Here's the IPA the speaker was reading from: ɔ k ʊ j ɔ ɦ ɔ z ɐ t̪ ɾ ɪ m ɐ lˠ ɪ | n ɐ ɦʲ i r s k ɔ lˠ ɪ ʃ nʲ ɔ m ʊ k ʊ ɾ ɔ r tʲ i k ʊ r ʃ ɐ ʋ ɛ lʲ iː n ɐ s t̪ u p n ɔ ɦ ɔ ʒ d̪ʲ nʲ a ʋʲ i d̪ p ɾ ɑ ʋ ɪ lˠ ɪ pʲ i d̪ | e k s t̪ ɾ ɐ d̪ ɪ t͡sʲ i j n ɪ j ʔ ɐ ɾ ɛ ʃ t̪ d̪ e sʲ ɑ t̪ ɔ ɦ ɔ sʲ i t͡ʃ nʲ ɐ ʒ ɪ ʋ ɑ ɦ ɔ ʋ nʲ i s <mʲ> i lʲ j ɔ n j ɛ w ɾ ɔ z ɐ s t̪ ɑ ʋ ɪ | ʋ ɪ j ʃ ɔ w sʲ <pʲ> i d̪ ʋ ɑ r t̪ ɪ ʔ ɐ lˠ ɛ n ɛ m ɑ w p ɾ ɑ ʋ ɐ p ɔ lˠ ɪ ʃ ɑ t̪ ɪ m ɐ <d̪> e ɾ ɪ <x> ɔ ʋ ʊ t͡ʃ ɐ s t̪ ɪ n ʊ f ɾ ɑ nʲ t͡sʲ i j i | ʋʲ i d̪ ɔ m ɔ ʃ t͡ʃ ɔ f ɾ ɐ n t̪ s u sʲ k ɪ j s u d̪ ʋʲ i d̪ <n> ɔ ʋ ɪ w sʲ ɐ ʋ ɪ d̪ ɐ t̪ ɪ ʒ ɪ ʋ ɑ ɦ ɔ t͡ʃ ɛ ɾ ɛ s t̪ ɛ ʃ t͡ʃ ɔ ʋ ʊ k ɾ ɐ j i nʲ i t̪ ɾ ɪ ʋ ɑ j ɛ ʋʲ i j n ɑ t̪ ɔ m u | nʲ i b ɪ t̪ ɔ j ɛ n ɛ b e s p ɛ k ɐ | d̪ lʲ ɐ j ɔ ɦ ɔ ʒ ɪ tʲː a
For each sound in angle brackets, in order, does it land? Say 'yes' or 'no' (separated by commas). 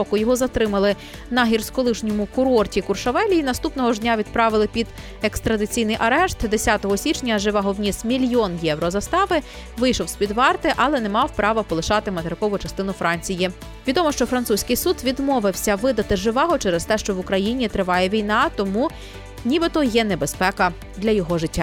yes, yes, no, no, no